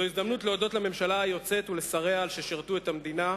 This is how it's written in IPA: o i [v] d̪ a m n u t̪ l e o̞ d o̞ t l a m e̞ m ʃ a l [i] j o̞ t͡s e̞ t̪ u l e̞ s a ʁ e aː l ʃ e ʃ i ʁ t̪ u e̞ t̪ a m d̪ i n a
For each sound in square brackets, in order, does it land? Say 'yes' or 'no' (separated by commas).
no, no